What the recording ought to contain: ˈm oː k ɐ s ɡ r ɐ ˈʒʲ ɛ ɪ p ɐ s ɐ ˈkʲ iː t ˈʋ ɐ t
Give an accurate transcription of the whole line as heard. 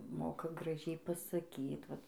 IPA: ˈm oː k ɐ ɡ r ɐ ˈʒʲ ɛ ɪ p ɐ s ɐ ˈkʲ iː t ˈʋ ɐ t